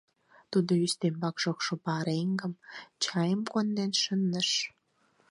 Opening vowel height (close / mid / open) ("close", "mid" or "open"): close